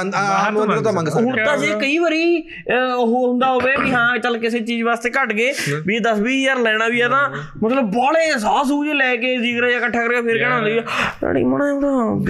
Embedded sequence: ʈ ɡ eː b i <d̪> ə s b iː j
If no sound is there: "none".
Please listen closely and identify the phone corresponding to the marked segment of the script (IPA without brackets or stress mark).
d̪